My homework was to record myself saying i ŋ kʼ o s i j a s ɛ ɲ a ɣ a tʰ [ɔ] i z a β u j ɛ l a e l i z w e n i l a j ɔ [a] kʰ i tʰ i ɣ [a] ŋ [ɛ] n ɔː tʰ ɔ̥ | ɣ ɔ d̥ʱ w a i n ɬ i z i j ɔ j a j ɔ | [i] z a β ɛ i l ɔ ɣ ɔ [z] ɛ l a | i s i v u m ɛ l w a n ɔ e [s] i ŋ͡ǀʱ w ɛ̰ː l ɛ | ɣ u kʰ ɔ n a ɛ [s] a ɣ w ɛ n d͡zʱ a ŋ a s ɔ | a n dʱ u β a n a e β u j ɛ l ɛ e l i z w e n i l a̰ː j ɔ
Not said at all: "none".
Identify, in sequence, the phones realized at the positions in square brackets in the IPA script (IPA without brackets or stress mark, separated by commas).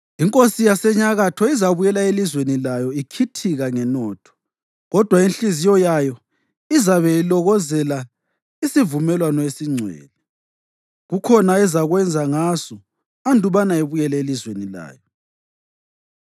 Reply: ɔ, i, a, ɛ, i, z, s, z